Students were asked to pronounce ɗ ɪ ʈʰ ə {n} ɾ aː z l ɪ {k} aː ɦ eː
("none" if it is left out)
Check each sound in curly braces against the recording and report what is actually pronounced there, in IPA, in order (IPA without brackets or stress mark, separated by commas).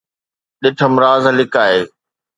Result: m, k